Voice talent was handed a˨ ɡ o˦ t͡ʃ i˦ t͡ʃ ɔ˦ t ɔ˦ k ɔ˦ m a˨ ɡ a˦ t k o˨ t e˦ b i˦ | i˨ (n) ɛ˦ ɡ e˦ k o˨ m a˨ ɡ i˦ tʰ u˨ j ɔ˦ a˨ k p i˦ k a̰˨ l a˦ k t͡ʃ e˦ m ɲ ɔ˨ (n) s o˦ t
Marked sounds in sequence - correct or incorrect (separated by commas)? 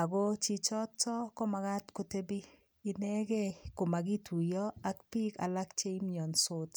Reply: correct, correct